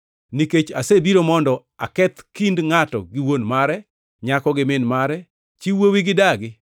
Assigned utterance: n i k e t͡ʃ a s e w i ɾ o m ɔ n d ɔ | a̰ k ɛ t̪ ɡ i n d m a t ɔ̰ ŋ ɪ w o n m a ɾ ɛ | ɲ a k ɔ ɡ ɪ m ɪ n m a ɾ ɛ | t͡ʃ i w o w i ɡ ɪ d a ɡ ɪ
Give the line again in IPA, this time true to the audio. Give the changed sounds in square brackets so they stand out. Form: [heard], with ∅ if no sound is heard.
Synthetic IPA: n i k e t͡ʃ a s e [b] i ɾ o m ɔ n d ɔ | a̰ k ɛ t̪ [k] i n d [ŋ] a t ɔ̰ [ɡ] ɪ w o n m a ɾ ɛ | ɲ a k ɔ ɡ ɪ m ɪ n m a ɾ ɛ | t͡ʃ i w o w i ɡ ɪ d a ɡ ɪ